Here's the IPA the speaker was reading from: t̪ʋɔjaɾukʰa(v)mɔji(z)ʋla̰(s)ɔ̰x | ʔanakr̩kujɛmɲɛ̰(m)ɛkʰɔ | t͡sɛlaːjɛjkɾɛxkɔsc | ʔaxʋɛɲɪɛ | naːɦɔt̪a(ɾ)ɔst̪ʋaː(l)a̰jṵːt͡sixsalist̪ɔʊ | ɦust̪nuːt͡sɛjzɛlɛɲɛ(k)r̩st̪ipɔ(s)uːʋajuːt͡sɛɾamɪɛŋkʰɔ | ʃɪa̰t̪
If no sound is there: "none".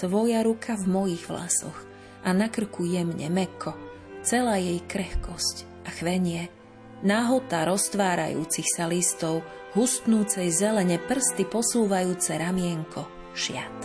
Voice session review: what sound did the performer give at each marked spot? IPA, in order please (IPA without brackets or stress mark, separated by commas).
v, ɣ, s, m, ɾ, ɾ, p, s